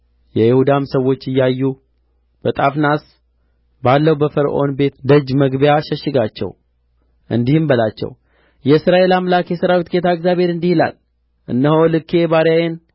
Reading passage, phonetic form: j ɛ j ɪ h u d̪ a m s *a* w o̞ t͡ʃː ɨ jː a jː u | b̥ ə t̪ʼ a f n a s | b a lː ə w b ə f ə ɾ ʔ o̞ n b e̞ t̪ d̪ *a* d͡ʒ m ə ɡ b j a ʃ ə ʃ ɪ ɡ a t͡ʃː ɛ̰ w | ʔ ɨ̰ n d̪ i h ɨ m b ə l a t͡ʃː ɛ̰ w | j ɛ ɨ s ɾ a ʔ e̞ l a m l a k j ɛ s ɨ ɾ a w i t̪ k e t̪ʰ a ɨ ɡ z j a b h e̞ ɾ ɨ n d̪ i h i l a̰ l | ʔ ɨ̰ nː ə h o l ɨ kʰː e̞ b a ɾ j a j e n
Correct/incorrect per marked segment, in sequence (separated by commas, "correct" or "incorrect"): incorrect, incorrect